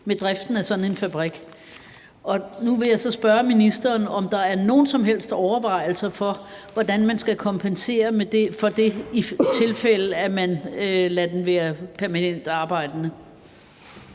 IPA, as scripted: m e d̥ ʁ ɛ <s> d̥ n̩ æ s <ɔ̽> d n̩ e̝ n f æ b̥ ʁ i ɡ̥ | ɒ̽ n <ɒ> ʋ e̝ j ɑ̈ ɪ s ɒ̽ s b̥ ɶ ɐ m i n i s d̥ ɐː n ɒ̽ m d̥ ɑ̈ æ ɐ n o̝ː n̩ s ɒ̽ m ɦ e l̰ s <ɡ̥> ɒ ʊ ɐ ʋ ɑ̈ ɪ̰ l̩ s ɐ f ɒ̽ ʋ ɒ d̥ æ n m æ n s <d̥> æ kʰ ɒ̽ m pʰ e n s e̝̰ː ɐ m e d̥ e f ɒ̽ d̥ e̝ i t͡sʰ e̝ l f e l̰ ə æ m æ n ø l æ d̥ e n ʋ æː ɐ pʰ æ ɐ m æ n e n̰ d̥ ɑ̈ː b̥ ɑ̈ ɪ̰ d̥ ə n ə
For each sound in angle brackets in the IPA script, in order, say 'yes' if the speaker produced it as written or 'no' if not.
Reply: no, no, no, no, no

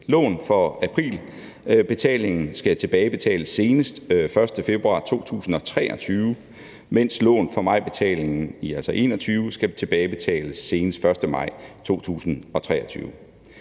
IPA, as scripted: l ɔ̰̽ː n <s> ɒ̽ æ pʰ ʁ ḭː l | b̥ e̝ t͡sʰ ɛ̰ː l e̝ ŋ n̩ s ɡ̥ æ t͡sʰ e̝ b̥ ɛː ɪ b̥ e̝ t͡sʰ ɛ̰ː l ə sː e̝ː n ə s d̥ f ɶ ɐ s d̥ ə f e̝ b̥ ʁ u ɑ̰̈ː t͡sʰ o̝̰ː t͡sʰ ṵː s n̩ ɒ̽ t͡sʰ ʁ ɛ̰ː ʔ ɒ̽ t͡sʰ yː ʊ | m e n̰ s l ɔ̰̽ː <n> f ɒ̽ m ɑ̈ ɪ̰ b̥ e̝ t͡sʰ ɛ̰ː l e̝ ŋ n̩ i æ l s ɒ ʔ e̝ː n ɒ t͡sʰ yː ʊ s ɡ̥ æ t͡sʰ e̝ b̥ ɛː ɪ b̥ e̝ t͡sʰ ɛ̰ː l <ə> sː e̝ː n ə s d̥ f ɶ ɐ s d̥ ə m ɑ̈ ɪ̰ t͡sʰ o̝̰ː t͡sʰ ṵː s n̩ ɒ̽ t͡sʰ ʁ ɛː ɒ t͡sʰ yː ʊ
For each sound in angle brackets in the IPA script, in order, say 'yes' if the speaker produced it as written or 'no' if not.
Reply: no, yes, yes

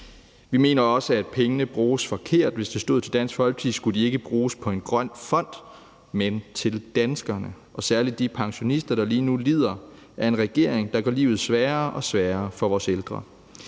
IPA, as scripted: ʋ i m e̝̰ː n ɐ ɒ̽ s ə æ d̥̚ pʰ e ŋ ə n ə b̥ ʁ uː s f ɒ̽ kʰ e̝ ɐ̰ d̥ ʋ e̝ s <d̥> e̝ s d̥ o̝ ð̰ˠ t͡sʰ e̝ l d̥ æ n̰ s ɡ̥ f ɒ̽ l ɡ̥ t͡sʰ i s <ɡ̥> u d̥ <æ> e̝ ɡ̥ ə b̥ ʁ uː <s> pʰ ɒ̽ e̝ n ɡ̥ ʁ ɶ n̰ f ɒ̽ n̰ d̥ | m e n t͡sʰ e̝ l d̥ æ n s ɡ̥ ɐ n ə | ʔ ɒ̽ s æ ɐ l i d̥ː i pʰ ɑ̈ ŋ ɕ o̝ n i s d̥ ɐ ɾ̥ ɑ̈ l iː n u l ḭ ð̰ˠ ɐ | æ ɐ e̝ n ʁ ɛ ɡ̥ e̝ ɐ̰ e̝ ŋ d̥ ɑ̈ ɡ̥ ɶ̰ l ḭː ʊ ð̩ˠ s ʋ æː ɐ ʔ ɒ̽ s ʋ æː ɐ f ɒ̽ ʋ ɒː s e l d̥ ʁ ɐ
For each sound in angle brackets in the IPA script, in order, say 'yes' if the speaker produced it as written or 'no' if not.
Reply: yes, yes, no, yes

